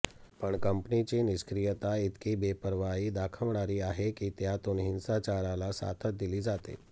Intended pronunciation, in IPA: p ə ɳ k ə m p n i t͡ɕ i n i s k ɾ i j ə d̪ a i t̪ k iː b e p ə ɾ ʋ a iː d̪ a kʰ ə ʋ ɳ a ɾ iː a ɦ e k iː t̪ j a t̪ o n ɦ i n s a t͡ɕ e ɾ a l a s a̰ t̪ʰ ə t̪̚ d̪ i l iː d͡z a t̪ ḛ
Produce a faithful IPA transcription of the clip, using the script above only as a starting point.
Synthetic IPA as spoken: p ə ɳ k ə m p n i t͡ɕ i n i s k ɾ i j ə t̪ a i t̪ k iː b e p ə ɾ ʋ a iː d̪ a kʰ ə ʋ ɳ a ɾ iː a ɦ e k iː t̪ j a t̪ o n ɦ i n s a t͡ɕ a ɾ a l a s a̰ t̪ʰ ə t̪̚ d̪ i l iː d͡z a t̪ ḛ